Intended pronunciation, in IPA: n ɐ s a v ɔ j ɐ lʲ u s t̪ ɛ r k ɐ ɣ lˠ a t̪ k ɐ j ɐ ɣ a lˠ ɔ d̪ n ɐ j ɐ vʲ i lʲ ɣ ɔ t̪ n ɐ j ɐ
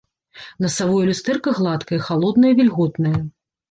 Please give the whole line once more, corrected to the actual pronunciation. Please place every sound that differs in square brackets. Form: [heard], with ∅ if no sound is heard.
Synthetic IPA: n ɐ s a v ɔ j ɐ lʲ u s t̪ ɛ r k ɐ ɣ lˠ a t̪ k ɐ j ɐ [x] a lˠ ɔ d̪ n ɐ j ɐ vʲ i lʲ ɣ ɔ t̪ n ɐ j ɐ